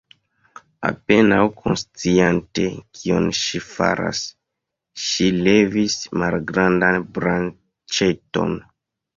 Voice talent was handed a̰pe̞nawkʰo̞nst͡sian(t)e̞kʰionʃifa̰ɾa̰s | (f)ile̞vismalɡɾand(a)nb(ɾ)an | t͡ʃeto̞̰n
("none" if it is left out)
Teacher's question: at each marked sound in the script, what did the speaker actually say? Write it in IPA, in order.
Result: t, ʃ, a, ɾ

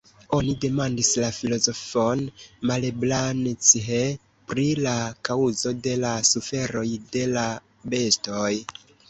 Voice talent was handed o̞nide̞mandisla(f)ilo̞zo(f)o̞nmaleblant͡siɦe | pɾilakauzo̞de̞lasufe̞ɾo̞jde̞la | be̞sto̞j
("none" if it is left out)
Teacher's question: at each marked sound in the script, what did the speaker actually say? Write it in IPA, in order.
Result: f, f

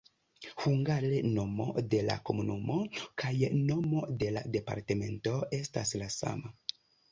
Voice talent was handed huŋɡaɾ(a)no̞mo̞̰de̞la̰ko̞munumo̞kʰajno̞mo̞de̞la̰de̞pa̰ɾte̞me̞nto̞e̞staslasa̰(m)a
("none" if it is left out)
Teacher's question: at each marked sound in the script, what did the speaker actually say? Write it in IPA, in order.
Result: e, m

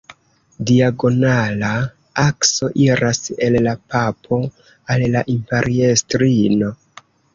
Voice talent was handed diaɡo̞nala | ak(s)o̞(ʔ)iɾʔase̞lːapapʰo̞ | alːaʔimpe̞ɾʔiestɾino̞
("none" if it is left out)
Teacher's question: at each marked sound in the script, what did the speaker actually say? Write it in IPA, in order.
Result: s, ʔ

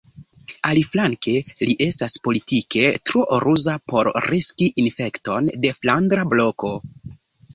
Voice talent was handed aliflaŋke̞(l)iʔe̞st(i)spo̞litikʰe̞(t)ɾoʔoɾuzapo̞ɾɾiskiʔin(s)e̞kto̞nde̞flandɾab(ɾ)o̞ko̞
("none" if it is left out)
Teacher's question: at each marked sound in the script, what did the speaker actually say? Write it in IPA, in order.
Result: l, a, t, f, l

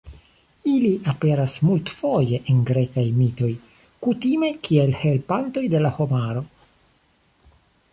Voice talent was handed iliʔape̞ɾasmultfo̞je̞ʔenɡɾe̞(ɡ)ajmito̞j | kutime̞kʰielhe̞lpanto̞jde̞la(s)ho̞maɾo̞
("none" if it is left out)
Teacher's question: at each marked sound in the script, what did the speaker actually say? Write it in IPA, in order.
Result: k, none

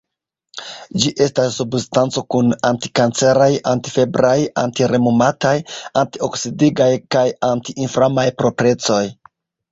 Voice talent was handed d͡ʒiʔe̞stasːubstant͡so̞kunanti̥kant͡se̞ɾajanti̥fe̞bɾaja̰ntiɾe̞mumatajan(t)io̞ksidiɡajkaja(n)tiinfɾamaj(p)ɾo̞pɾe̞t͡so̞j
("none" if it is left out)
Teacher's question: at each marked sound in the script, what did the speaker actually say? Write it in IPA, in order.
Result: t, n, p

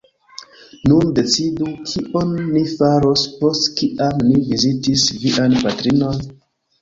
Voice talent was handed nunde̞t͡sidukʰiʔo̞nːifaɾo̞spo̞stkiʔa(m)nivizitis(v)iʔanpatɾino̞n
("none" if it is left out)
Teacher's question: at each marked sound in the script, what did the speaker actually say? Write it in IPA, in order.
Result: m, v

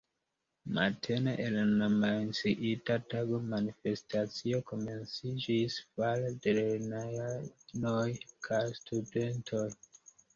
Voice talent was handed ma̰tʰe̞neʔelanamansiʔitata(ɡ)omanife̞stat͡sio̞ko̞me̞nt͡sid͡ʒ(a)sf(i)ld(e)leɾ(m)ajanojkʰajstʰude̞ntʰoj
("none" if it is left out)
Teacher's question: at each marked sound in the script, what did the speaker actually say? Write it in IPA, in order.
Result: ɡ, i, a, e, n

